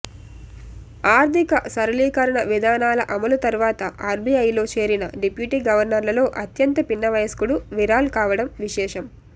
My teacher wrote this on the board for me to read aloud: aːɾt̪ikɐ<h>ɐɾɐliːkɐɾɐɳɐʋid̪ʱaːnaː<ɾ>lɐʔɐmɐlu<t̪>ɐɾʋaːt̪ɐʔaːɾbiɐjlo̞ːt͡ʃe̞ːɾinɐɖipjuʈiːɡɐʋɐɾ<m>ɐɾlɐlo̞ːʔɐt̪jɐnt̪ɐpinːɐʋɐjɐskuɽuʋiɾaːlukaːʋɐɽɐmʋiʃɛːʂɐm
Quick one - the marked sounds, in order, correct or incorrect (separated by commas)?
incorrect, incorrect, correct, incorrect